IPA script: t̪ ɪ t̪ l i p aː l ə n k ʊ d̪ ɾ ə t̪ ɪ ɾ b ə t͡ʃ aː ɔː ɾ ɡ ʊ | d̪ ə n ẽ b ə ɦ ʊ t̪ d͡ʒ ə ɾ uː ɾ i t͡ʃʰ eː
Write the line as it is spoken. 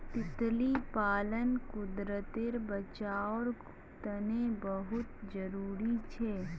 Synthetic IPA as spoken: t̪ ɪ t̪ l i p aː l ə n k ʊ d̪ ɾ ə t̪ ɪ ɾ b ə t͡ʃ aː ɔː ɾ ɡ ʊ | t̪ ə n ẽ b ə ɦ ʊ t̪ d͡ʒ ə ɾ uː ɾ i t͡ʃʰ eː